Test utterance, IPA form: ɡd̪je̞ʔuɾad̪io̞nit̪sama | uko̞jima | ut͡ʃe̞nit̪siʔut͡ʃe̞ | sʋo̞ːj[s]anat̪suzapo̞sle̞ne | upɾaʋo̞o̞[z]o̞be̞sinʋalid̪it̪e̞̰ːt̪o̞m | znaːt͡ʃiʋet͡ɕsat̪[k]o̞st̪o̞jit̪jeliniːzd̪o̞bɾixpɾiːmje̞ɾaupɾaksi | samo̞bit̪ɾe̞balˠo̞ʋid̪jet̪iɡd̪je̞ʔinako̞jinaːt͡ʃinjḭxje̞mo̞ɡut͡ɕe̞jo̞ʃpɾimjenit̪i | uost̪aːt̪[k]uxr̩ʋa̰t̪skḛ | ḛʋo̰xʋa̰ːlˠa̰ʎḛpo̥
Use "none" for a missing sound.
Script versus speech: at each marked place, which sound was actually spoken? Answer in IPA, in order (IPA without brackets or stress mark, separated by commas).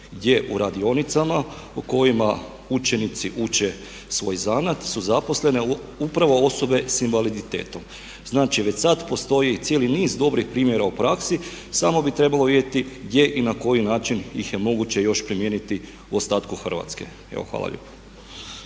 z, s, p, k